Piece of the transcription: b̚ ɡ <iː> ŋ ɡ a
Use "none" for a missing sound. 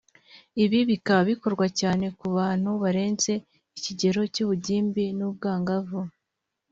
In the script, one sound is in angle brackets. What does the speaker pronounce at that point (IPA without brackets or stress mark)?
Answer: aː